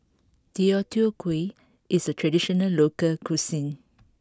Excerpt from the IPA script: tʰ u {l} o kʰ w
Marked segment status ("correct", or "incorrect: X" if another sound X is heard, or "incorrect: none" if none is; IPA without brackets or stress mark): incorrect: none